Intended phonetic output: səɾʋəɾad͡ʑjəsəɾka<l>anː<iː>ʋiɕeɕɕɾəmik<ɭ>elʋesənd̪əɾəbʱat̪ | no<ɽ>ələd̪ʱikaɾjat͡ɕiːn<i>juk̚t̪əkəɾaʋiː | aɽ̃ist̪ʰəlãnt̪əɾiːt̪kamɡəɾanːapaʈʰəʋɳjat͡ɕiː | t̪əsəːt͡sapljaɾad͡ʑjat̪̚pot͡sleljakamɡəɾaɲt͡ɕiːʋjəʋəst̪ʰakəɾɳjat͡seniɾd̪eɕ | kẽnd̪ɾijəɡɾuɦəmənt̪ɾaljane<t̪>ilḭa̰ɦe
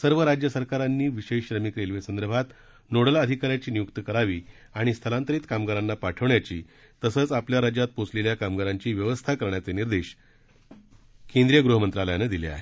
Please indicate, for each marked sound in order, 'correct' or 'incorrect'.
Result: incorrect, correct, incorrect, correct, correct, incorrect

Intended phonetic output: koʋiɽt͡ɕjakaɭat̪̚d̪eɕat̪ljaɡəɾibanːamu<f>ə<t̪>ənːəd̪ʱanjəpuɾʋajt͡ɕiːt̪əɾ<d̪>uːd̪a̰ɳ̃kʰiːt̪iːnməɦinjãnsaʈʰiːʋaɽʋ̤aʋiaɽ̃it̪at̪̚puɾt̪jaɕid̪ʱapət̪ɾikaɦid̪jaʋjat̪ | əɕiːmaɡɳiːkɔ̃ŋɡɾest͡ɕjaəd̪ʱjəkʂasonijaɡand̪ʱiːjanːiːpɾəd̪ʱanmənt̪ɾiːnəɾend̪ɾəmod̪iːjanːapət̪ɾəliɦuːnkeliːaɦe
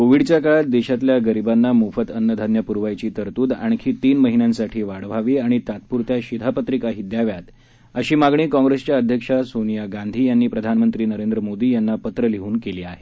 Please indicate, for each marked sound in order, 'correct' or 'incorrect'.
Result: correct, correct, incorrect

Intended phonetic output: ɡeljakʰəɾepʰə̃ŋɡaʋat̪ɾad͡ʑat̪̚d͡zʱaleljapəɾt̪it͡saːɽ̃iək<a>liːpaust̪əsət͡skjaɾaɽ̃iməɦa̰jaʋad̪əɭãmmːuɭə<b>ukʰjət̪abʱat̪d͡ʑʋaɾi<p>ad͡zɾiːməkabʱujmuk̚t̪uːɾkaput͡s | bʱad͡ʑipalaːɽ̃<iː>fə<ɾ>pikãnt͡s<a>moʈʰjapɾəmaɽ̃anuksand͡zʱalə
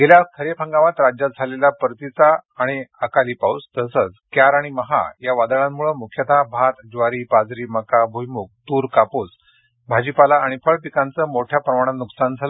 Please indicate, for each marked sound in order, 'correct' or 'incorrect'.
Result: correct, incorrect, correct, incorrect, incorrect, incorrect

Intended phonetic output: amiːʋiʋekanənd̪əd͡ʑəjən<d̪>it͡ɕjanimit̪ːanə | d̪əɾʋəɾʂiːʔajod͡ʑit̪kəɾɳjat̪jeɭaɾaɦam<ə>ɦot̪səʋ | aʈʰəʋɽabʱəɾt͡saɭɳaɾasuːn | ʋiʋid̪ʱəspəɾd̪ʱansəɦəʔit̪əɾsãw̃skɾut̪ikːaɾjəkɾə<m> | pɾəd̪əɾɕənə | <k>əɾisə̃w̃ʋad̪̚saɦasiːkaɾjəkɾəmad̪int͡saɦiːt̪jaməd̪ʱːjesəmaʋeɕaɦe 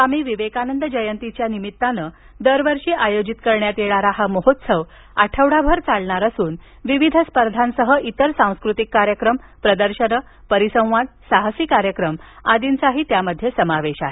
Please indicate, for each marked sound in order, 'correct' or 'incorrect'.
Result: incorrect, correct, correct, incorrect

